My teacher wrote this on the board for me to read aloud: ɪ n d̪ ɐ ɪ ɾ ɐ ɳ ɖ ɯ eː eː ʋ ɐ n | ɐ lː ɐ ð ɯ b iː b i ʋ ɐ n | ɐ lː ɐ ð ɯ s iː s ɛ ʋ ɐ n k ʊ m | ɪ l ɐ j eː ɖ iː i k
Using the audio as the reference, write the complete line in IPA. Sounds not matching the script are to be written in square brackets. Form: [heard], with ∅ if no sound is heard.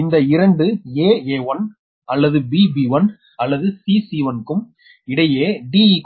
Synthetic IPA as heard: ɪ n d̪ ɐ ɪ ɾ ɐ ɳ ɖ ɯ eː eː ʋ ɐ n | ɐ lː ɐ ð ɯ b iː b i ʋ ɐ n | ɐ lː ɐ ð ɯ s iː s [i] ʋ ɐ n k [ɯ] m | ɪ [ɽ] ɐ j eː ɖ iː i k

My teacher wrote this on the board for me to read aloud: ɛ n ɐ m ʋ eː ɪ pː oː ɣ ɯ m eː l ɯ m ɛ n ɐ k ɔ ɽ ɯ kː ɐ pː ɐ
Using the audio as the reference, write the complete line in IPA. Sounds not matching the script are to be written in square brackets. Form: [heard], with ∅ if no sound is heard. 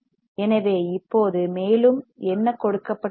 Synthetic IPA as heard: ɛ n ɐ [∅] ʋ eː ɪ pː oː [ð] ɯ m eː l ɯ m ɛ [nː] ɐ k ɔ ɽ ɯ kː ɐ pː ɐ

